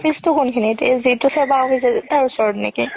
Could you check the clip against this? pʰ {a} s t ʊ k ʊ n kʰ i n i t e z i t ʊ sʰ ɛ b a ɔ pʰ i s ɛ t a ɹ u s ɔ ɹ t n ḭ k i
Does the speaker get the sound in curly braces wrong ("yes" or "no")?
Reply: yes